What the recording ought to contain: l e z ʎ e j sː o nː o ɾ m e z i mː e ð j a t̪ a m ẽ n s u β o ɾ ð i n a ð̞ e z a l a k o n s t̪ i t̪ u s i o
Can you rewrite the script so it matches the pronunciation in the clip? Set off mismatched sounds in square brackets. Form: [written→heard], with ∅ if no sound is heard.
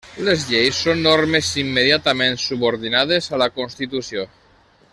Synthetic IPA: l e z ʎ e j sː o nː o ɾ m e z i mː e ð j a t̪ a m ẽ n s u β o ɾ ð i n a ð̞ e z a l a k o n s t̪ i t̪ u s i o

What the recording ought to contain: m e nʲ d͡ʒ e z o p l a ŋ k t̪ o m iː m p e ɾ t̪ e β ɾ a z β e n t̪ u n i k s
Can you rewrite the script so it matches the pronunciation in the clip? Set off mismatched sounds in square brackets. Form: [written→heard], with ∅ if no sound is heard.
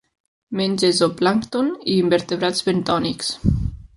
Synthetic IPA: m e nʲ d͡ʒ e z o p l a ŋ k t̪ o [m→n] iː m [p→b] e ɾ t̪ e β ɾ a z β e n t̪ [u→ɔ] n i k s

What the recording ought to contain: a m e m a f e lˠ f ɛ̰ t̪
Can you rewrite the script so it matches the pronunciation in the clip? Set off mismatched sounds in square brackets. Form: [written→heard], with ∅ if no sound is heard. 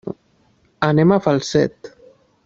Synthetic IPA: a [m→n] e m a f [e→a] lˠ [f→s] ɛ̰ t̪

